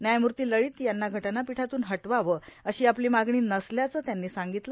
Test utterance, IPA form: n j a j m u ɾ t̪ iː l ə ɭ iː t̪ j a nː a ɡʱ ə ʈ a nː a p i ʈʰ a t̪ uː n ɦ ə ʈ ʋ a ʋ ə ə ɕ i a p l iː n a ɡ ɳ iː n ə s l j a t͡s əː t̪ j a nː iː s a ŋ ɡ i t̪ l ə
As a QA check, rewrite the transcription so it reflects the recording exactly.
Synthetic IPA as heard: n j a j m u ɾ t̪ iː l ə ɭ iː t̪ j a nː a ɡʱ ə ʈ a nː a p i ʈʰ a t̪ uː n ɦ ə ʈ ʋ a ʋ ə ə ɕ iː a p l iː m a ɡ ɳ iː n ə s l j a t͡s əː t̪ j a nː iː s a ŋ ɡ i t̪ l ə

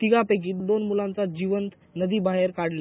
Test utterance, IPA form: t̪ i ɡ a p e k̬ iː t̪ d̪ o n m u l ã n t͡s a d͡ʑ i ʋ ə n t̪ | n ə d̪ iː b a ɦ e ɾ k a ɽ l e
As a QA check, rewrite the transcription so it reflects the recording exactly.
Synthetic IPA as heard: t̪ i ɡ a p e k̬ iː t̪ d̪ o n m u l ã n t͡s a d͡ʑ i ʋ ə n t̪ | n ə d̪ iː b a ɦ e ɾ k a ɽ l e

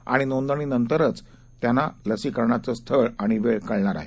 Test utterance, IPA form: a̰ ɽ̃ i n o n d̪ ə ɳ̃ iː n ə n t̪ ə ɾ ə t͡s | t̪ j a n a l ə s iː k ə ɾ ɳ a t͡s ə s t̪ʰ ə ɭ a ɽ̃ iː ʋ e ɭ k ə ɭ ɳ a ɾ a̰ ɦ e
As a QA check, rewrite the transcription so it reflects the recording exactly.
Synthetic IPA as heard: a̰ ɽ̃ i n o n d̪ ə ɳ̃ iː n ə n t̪ ə ɾ ə t͡s | t̪ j a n a l ə s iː k ə ɾ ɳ a t͡s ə s t̪ʰ ə ɭ a ɽ̃ i ʋ e ɭ k ə ɭ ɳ a ɾ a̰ ɦ e

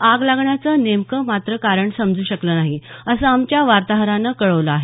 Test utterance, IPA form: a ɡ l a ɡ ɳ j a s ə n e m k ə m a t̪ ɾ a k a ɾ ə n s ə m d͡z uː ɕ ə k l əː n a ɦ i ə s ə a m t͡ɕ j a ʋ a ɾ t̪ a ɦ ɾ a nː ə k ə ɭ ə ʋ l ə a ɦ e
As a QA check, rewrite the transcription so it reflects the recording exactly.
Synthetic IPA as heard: a ɡ l a ɡ ɳ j a t͡s ə n e m k ə m a t̪ ɾ ə k a ɾ ə ɳ s ə m d͡z uː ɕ ə k l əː n a ɦ i ə s ə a m t͡ɕ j a ʋ a ɾ t̪ a ɦ ɾ a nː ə k ə ɭ ə ʋ l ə a ɦ e

